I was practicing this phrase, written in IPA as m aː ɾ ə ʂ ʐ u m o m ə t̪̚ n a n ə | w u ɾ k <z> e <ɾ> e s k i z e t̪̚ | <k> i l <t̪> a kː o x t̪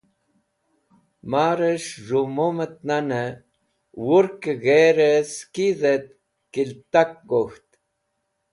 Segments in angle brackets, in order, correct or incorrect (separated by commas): incorrect, correct, correct, correct